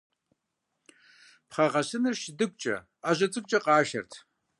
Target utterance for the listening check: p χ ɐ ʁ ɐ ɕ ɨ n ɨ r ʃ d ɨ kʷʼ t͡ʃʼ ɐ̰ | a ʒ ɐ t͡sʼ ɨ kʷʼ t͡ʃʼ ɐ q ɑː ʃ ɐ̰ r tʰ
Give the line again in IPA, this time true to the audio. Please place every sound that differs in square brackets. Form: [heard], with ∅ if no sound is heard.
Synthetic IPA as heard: p χ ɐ ʁ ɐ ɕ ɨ n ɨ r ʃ d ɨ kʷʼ t͡ʃʼ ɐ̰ | a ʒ ɐ t͡sʼ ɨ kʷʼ t͡ʃʼ ɐ q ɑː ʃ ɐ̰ r tʰ